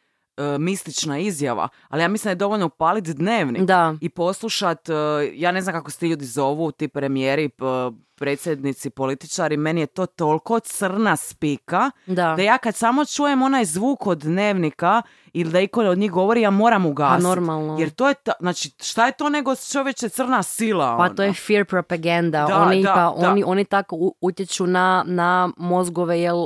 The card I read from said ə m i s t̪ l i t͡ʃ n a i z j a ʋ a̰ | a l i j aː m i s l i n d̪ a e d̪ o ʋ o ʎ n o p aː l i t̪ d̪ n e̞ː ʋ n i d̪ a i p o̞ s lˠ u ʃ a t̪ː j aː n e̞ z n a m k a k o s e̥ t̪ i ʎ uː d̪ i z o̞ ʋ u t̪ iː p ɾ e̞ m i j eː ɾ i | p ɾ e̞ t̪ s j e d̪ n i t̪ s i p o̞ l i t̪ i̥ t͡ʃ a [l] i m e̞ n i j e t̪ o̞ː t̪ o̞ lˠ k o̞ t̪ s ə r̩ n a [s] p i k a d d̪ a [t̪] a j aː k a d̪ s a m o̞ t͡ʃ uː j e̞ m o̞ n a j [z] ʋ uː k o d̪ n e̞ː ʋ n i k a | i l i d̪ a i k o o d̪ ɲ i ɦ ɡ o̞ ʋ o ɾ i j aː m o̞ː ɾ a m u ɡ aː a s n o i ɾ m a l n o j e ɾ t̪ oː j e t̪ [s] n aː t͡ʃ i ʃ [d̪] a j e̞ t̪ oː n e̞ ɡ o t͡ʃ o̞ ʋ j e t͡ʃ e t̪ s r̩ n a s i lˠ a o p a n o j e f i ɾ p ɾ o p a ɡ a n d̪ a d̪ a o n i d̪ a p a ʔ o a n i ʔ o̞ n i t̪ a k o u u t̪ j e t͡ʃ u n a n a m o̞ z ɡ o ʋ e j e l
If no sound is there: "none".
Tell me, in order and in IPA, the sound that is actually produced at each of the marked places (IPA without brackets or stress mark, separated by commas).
ɾ, s, d̪, z, z, t̪